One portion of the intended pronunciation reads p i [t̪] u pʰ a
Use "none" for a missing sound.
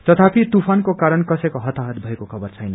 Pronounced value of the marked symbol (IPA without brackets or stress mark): t̪